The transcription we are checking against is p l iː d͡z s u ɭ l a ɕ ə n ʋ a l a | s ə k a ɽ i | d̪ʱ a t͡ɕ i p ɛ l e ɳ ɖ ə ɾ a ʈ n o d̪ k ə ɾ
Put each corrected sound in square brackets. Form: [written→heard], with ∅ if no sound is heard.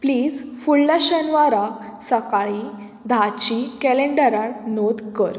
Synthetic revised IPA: p l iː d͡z [s→f] u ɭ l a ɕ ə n ʋ a [l→ɾ] a | s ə k a [ɽ→ɭ] i | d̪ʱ a t͡ɕ i [p→k] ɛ l e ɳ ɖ ə ɾ a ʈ n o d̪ k ə ɾ